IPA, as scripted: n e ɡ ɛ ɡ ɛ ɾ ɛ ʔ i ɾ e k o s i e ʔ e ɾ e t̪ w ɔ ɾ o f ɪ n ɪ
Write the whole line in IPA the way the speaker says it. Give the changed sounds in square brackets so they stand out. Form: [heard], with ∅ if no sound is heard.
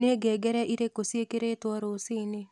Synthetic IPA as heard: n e ɡ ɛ ɡ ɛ ɾ ɛ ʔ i ɾ e k o s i e [k] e ɾ e t̪ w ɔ ɾ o [s] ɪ n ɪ